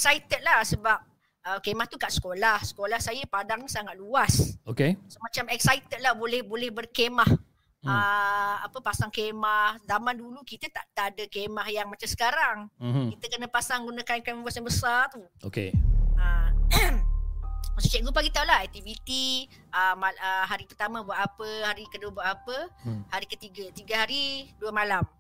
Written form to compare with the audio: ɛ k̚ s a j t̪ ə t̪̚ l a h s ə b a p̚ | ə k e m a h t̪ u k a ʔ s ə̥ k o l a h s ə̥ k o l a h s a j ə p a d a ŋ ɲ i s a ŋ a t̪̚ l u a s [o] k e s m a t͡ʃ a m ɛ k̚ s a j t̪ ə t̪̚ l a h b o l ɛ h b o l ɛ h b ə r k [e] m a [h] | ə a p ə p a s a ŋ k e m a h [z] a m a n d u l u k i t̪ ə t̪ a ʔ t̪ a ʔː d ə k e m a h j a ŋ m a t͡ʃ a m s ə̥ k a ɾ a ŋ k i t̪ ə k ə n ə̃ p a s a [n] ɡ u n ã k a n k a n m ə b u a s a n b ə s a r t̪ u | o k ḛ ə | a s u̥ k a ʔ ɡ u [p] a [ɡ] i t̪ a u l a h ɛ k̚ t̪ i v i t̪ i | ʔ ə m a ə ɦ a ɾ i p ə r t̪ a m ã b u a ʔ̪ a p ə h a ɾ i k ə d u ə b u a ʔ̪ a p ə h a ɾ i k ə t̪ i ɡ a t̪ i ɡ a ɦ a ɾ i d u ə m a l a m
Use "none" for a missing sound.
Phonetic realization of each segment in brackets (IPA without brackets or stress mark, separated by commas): o, e, h, z, ŋ, p, ɡ